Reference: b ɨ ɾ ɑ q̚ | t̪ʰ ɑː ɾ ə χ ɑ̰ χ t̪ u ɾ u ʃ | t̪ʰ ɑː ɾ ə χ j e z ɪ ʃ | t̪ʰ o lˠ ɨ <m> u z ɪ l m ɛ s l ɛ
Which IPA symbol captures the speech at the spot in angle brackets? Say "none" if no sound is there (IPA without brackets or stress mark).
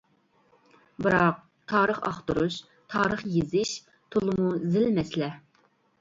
m